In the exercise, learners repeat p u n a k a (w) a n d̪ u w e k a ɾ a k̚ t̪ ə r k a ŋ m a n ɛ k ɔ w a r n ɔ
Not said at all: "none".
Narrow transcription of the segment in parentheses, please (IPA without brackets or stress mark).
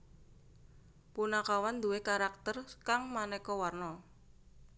w